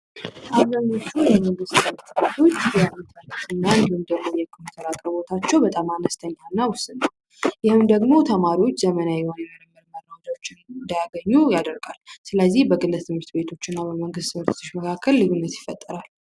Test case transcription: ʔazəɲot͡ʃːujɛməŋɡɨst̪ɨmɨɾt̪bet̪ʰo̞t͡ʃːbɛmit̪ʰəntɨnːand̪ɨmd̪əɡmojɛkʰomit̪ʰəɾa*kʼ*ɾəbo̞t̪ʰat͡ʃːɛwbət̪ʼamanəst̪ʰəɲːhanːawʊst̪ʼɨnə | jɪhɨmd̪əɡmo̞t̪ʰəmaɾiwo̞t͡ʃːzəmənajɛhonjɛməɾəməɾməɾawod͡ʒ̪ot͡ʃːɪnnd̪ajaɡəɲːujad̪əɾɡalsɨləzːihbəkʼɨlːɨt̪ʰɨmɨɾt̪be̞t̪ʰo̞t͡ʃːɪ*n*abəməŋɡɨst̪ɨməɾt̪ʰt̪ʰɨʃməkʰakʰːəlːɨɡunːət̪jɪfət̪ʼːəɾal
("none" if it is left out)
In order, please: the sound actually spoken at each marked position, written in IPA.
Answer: kʼ, nː

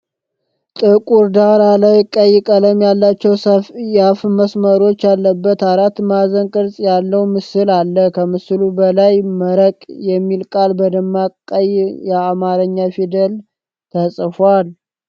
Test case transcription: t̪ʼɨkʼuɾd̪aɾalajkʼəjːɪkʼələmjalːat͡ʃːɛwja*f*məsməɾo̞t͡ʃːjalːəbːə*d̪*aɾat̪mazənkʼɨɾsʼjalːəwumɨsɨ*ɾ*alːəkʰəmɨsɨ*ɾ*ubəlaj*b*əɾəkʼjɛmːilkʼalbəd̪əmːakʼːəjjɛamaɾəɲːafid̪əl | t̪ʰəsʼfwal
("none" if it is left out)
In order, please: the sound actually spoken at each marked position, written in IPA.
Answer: f, t̪, l, l, m

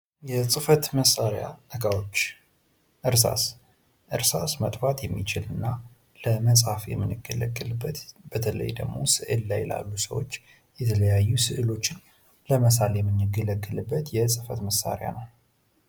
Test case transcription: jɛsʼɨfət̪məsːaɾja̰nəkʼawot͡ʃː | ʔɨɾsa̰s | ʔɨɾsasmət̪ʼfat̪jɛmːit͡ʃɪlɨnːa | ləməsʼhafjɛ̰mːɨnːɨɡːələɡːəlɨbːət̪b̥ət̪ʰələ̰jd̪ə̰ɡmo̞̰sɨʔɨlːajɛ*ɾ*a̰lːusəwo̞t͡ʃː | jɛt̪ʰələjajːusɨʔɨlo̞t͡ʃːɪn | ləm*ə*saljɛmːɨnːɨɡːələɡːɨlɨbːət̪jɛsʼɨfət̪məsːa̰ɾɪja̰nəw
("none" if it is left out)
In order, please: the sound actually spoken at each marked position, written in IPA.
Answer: l, ə

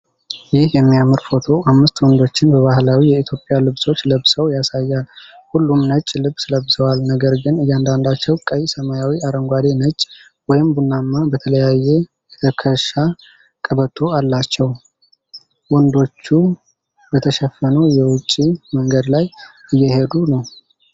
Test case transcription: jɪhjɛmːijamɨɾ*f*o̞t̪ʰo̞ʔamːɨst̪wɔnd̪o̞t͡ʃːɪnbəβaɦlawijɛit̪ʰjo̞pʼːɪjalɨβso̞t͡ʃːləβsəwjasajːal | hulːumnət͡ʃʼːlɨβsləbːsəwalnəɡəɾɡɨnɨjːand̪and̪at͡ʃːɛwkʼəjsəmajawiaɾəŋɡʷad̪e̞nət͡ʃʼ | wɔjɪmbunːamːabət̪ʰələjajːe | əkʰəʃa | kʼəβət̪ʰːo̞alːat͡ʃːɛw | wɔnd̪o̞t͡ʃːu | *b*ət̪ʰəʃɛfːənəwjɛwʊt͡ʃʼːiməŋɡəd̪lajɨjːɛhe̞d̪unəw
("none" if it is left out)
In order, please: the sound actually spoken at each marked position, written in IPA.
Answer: f, b

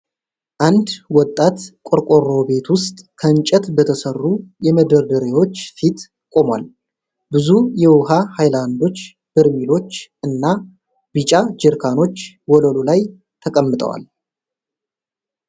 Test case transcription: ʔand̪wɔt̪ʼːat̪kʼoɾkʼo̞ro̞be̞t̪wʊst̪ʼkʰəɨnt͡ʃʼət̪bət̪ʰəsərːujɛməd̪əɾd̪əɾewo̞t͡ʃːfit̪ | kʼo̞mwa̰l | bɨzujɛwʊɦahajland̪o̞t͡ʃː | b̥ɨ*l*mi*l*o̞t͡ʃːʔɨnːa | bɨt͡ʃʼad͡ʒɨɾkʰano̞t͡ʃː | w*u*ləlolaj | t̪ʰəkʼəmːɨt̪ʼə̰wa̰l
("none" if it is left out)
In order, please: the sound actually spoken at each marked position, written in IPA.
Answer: ɾ, l, ɔ

